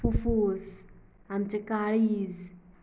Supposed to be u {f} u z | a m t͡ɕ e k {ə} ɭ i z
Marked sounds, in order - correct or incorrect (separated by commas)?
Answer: correct, incorrect